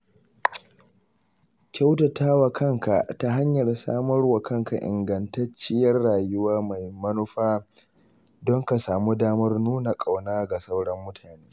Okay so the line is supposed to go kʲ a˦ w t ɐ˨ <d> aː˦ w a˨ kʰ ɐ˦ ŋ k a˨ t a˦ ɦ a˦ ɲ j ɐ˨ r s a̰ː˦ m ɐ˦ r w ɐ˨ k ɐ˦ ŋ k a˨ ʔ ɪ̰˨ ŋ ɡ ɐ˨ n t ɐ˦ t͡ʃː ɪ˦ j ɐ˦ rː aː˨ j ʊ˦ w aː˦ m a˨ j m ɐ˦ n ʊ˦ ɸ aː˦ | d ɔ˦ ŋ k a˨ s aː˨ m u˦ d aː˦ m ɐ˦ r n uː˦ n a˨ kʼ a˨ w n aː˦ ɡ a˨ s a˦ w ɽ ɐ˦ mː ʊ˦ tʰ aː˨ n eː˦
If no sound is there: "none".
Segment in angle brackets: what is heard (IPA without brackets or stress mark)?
t